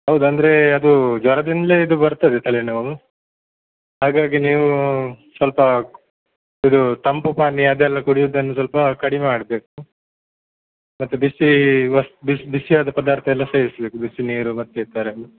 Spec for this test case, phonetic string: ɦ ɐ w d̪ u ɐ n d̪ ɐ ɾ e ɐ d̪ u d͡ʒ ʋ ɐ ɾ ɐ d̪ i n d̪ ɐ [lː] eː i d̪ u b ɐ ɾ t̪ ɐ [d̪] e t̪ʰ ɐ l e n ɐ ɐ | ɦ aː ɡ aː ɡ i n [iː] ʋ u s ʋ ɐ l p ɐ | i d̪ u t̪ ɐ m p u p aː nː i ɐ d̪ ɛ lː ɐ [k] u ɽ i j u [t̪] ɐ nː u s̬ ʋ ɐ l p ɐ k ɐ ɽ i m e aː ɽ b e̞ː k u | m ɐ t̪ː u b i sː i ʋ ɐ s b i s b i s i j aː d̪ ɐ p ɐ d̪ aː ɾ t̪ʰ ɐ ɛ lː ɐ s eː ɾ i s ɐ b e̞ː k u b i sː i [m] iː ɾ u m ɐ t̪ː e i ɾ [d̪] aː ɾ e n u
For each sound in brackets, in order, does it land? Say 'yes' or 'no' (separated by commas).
no, yes, yes, yes, no, no, no